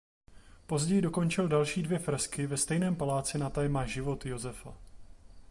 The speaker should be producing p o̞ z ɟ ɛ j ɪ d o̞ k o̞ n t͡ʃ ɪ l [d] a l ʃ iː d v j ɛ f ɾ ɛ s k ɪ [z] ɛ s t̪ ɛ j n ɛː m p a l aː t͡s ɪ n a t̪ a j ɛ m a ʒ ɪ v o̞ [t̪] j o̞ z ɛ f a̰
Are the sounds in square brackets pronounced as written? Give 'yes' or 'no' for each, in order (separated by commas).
yes, no, yes